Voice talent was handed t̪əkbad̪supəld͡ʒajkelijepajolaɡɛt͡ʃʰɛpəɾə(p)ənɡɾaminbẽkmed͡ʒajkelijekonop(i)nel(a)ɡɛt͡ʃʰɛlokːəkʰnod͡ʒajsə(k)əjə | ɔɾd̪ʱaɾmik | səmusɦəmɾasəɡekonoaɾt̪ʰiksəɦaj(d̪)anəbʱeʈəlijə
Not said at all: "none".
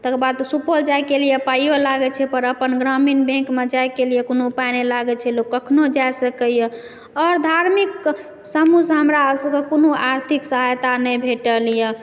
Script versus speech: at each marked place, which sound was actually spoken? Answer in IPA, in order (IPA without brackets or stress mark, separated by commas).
p, a, a, k, t̪